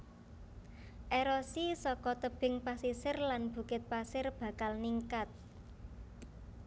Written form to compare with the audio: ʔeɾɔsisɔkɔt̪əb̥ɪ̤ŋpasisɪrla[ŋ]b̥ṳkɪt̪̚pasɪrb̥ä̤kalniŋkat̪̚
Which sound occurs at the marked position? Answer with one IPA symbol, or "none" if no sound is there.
n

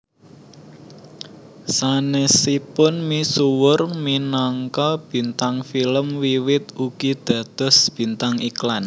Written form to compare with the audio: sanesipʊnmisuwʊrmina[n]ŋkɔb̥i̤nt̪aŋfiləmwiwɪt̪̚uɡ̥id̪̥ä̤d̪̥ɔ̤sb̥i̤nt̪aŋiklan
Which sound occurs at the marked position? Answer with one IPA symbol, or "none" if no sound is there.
none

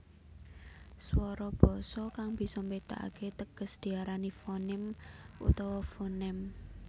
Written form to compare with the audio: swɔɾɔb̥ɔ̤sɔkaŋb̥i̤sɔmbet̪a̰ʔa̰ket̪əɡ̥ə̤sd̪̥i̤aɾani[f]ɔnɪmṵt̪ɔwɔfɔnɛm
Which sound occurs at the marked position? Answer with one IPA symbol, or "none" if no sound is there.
f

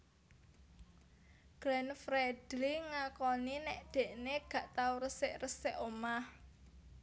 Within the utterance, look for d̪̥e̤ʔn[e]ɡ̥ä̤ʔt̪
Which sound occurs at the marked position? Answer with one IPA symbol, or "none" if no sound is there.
e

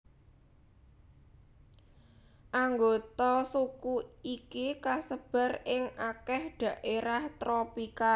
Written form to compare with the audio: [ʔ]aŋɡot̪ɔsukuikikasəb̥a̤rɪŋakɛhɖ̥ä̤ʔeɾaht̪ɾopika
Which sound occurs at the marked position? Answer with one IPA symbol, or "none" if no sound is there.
ʔ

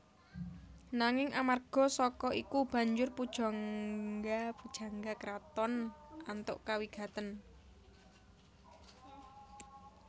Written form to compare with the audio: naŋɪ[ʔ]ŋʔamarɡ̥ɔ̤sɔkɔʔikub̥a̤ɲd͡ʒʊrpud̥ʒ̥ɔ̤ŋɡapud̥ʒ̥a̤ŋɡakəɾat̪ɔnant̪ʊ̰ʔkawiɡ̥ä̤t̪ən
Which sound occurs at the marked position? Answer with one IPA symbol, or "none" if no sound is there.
none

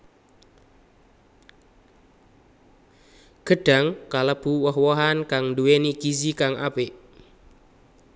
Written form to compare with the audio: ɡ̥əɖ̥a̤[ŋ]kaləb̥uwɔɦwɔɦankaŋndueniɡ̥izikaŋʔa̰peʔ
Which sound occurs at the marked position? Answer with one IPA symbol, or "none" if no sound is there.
ŋ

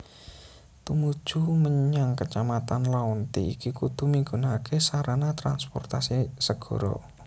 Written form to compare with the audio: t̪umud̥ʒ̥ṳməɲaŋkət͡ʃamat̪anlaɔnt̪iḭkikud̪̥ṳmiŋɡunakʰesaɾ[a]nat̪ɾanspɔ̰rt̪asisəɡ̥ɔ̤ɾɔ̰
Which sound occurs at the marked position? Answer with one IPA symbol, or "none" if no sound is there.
a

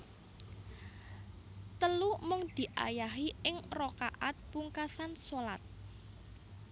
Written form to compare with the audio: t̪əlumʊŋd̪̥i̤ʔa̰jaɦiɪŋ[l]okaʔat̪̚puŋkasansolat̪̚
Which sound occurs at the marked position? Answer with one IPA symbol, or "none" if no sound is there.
r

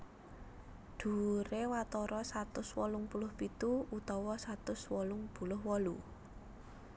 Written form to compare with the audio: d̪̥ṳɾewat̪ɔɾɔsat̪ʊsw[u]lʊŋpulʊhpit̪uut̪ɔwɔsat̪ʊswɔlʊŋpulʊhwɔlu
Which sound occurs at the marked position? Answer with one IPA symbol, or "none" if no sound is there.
ɔ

